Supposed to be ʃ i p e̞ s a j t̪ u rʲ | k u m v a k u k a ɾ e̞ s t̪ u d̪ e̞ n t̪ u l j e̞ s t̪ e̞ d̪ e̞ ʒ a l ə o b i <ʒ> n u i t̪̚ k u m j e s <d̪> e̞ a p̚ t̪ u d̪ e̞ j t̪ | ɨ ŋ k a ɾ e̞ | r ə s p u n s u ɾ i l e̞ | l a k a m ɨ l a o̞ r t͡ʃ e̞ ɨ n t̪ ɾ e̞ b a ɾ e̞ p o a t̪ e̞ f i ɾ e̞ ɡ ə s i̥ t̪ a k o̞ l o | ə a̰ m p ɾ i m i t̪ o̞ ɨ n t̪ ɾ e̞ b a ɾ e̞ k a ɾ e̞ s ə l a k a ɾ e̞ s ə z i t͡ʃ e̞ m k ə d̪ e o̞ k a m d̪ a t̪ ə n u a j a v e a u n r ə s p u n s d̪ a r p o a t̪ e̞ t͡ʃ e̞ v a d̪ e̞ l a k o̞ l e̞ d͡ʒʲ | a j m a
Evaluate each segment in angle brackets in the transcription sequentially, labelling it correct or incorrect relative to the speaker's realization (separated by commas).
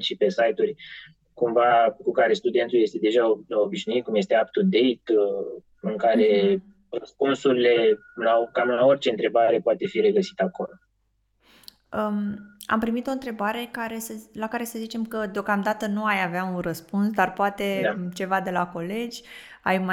incorrect, incorrect